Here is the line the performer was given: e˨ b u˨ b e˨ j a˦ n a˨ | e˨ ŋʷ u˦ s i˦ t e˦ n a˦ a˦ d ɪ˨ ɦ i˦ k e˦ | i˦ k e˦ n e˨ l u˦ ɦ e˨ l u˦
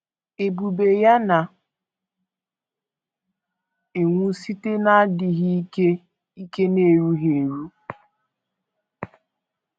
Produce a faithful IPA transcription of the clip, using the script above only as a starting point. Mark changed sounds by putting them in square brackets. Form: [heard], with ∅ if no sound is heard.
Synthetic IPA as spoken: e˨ b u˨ b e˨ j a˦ n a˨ | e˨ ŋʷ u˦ s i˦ t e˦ n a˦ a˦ d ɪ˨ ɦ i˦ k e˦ | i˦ k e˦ n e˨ [ɾ] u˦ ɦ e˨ [ɾ] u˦